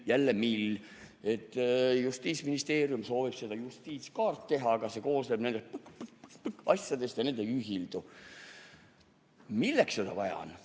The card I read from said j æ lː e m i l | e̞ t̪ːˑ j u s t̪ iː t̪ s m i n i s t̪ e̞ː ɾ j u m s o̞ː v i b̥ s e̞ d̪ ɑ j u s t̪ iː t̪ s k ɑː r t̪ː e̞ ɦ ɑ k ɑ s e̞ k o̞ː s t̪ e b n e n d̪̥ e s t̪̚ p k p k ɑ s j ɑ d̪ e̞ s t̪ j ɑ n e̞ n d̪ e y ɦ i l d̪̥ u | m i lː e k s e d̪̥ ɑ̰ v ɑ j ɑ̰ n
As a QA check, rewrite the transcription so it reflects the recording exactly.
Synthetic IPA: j æ lː e m i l | e̞ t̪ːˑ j u s t̪ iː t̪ s m i n i s t̪ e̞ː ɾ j u m s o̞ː v i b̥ s e̞ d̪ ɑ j u s t̪ iː t̪ s k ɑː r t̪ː e̞ ɦ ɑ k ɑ s e̞ k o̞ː s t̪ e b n e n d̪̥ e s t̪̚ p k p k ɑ s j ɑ d̪ e̞ s t̪ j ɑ n e̞ n d̪ e y ɦ i l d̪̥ u | m i lː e k s e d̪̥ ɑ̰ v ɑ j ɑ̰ n